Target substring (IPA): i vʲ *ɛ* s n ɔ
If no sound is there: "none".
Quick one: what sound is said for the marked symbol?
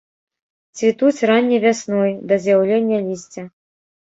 a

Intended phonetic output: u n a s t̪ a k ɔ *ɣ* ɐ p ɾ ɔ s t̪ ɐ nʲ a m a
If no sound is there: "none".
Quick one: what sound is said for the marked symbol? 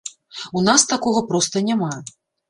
ɣ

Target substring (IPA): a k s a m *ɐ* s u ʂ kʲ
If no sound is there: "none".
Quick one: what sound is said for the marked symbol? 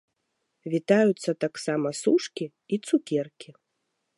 ɐ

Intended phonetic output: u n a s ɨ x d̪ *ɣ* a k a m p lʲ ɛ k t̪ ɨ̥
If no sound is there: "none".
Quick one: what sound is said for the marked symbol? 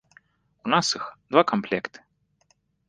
v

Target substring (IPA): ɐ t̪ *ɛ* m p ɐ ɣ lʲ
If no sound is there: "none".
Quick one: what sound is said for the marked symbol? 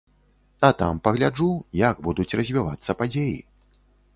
a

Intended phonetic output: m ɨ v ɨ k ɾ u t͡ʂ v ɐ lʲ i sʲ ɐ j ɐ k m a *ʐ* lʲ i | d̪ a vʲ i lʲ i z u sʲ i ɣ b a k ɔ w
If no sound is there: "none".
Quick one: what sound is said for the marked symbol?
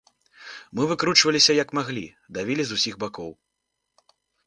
ɣ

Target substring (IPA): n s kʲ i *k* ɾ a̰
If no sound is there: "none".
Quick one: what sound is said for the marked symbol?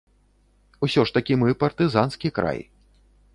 k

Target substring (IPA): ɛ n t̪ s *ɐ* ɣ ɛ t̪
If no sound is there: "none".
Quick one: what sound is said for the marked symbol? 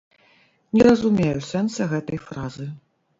ɐ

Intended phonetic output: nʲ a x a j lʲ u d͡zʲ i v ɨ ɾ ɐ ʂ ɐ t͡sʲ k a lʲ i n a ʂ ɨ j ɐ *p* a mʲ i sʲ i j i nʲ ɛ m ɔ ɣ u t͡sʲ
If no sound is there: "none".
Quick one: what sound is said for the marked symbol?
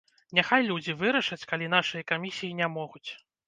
k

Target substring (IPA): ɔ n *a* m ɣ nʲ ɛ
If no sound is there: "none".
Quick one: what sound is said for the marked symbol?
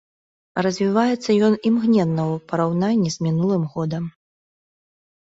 i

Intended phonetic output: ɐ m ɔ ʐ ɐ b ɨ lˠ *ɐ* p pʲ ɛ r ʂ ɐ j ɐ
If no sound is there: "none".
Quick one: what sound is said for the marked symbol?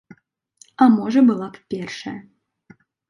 a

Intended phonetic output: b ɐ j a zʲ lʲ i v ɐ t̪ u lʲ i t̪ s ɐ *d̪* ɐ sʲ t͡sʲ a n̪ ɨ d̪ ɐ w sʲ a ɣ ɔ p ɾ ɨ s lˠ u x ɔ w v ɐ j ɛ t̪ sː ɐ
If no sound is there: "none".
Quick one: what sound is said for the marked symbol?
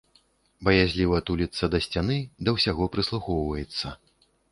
d̪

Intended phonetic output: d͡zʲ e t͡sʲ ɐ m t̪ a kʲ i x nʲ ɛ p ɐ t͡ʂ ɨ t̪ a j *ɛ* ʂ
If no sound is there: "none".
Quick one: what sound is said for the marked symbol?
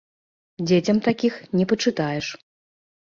ɛ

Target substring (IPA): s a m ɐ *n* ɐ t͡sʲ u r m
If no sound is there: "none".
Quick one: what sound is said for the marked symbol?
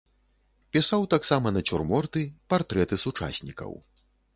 n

